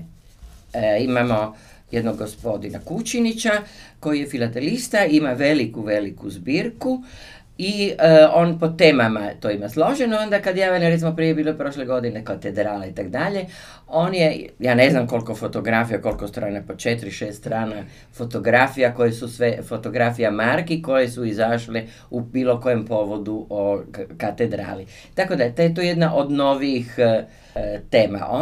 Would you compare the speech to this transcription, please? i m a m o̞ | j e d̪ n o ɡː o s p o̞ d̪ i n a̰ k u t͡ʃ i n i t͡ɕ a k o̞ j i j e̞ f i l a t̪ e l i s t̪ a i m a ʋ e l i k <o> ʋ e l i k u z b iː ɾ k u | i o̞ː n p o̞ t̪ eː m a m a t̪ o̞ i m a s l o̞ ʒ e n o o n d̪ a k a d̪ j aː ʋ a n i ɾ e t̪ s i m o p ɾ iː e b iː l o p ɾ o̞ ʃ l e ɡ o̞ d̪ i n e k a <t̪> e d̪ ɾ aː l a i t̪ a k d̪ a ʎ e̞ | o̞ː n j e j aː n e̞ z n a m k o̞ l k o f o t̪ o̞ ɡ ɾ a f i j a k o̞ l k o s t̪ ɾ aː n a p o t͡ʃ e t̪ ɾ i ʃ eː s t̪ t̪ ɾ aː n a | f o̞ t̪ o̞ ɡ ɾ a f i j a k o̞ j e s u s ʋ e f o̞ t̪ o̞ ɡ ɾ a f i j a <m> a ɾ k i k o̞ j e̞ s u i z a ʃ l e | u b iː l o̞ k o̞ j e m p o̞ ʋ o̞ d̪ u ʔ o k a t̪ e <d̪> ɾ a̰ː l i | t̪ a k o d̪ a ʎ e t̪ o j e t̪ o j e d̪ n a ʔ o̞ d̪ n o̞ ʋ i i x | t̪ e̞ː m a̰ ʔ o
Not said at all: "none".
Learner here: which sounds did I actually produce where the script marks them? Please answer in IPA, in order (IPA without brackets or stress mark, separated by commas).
u, t̪, m, d̪